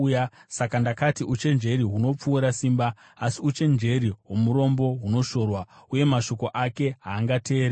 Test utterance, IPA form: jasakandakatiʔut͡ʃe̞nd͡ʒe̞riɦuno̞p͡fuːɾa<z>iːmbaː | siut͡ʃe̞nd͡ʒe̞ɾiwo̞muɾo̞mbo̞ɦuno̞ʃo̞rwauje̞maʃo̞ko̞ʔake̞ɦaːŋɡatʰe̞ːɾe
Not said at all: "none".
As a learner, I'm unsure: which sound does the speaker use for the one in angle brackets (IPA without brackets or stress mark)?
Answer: s